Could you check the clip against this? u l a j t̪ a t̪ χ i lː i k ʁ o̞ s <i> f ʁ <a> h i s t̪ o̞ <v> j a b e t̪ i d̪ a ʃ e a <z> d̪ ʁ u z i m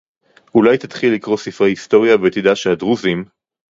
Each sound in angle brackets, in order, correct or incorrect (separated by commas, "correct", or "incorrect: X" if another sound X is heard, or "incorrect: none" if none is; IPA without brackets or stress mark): correct, incorrect: e, incorrect: ʁ, incorrect: none